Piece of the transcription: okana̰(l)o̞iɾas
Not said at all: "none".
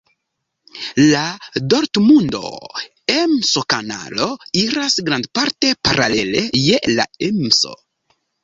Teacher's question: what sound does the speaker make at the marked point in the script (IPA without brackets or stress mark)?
l